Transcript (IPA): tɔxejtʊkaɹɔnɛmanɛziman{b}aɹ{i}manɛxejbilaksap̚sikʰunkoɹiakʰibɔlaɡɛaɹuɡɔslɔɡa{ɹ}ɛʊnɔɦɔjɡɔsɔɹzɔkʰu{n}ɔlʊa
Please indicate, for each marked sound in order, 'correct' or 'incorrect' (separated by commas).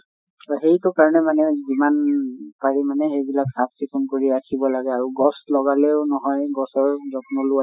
incorrect, correct, incorrect, correct